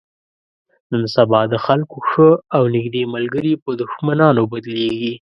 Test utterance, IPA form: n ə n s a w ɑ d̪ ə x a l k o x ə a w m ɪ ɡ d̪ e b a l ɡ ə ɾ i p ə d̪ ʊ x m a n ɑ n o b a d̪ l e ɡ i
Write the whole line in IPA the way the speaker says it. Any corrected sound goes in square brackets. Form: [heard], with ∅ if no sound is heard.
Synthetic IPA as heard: n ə n s a [b] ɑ d̪ ə x a l k o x ə a w [n] ɪ ɡ d̪ e [m] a l ɡ ə ɾ i p ə d̪ ʊ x m a n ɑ n o b a d̪ l e ɡ i